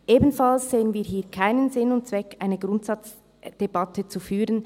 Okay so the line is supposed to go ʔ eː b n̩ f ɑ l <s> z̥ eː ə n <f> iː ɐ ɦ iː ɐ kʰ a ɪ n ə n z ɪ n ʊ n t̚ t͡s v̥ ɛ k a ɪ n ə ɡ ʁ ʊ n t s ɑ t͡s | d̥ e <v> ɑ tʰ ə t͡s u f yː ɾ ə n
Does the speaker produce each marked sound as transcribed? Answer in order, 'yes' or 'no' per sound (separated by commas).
yes, no, no